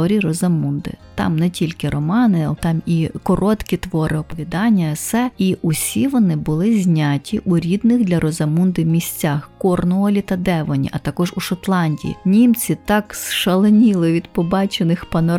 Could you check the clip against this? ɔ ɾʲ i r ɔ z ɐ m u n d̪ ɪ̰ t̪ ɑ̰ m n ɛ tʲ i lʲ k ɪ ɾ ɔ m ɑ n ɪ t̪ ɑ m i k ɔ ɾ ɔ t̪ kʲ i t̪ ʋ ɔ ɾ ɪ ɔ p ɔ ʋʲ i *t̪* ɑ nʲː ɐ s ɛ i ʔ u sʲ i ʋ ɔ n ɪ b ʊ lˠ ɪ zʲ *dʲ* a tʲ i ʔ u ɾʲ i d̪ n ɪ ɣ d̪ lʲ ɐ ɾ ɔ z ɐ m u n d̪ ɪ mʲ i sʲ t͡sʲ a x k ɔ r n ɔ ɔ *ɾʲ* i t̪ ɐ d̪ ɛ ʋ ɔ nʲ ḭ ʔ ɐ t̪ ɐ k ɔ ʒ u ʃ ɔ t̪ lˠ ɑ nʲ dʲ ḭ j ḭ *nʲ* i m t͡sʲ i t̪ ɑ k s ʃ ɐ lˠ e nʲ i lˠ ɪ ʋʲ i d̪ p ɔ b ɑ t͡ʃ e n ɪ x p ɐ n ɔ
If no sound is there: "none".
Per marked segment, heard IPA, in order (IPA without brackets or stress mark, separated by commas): d̪, nʲ, lʲ, nʲ